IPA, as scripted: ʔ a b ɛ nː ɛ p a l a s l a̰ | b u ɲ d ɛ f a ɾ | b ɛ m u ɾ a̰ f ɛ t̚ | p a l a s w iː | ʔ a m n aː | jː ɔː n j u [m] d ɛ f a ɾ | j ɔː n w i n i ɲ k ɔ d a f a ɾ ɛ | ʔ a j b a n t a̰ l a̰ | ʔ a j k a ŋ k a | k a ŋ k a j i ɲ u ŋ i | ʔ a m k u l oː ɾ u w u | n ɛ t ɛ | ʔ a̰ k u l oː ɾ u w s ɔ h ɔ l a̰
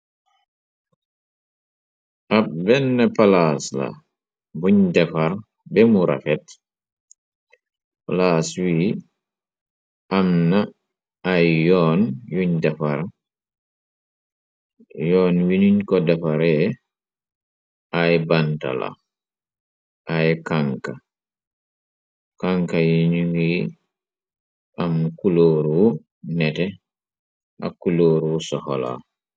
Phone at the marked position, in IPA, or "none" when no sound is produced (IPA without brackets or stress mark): ɲ